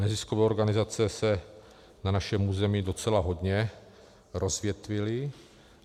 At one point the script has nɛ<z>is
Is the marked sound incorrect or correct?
correct